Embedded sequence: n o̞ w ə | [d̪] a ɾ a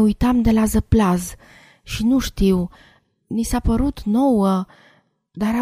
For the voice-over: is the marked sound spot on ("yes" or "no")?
yes